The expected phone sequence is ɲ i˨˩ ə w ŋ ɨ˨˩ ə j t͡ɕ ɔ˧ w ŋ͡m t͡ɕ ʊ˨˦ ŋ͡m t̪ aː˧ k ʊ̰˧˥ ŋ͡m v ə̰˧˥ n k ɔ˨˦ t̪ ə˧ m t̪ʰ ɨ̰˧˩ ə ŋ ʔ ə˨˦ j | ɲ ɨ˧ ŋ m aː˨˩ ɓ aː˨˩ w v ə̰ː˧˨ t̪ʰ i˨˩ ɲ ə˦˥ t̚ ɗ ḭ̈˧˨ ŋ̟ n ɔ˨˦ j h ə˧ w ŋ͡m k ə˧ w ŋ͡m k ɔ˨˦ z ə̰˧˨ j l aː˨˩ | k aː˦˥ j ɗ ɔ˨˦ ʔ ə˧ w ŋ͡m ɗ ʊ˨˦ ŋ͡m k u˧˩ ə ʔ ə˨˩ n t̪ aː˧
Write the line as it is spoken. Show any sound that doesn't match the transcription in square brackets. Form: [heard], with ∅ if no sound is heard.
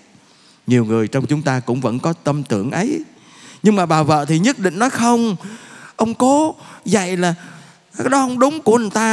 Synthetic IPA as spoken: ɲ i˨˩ ə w ŋ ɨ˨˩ ə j t͡ɕ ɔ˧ w ŋ͡m t͡ɕ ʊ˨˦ ŋ͡m t̪ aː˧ k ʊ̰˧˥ ŋ͡m v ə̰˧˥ n k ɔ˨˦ t̪ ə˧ m [t̪] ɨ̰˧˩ ə ŋ ʔ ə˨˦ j | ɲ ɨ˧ ŋ m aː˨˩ ɓ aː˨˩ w v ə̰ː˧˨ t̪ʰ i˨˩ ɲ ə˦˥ t̚ ɗ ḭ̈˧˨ ŋ̟ n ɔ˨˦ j [x] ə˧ w ŋ͡m [ʔ] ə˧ w ŋ͡m k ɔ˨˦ z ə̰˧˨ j l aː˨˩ | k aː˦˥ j ɗ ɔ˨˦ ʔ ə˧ w ŋ͡m ɗ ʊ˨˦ ŋ͡m k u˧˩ ə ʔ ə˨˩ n t̪ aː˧